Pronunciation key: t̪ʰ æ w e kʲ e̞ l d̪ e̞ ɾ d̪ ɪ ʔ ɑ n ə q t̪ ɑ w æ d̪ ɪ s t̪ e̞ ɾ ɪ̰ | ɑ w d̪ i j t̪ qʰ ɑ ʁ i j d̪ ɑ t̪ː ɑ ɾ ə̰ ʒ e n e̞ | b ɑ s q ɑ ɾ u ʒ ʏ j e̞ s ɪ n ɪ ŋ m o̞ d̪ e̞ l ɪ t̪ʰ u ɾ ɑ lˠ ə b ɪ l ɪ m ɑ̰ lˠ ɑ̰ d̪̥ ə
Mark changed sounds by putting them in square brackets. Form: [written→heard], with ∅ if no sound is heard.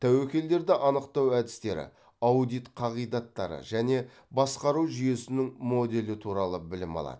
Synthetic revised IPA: t̪ʰ æ w e kʲ e̞ l d̪ e̞ ɾ d̪ ɪ ʔ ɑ n ə q t̪ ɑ w æ d̪ ɪ s t̪ e̞ ɾ ɪ̰ | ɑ w d̪ i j t̪ qʰ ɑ ʁ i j d̪ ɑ t̪ː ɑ ɾ ə̰ ʒ [e→æ] n e̞ | b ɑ s q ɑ ɾ u ʒ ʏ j e̞ s ɪ n ɪ ŋ m o̞ d̪ e̞ l ɪ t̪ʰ u ɾ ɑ lˠ ə b ɪ l ɪ m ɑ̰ lˠ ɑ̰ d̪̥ ə